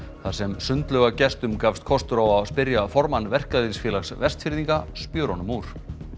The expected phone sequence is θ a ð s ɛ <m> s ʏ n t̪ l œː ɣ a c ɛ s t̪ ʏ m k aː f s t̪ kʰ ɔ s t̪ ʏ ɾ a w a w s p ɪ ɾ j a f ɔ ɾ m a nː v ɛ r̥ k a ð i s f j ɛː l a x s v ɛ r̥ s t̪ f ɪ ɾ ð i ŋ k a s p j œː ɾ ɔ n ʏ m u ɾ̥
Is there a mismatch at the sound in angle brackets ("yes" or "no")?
no